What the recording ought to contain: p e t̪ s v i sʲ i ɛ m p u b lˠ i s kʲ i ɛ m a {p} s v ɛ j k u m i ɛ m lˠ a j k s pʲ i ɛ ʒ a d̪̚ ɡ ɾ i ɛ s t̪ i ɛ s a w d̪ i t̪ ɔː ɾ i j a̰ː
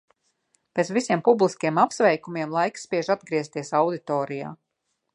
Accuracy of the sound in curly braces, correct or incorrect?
correct